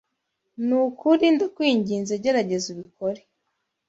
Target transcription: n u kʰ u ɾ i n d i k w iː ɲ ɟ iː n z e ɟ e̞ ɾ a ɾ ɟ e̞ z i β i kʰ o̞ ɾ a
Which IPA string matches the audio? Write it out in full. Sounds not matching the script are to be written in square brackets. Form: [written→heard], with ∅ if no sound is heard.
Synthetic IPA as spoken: n u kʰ u ɾ i n d [i→a] k w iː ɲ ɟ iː n z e ɟ e̞ ɾ a [ɾ→∅] ɟ e̞ z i β i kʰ o̞ ɾ [a→e]